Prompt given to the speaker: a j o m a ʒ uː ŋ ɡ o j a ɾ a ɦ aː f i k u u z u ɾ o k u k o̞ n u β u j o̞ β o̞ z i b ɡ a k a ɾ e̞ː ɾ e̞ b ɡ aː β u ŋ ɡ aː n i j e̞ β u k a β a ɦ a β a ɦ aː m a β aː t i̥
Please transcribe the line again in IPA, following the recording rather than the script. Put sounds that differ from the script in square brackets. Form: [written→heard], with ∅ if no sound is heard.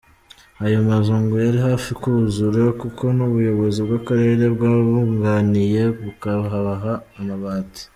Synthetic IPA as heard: a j o m a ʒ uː ŋ ɡ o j a ɾ [a→i] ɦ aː f i k u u z u ɾ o k u k o̞ n u β u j o̞ β o̞ z i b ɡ a k a ɾ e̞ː ɾ e̞ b ɡ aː β u ŋ ɡ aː n i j e̞ β u k a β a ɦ a β a ɦ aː m a β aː t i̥